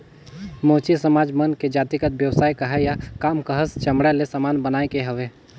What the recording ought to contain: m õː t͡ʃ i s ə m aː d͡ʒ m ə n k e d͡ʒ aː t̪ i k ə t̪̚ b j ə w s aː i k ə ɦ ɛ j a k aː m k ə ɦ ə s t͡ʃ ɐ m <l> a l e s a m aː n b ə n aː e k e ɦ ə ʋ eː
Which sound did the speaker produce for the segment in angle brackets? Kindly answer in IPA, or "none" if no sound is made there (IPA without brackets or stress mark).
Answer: ɽ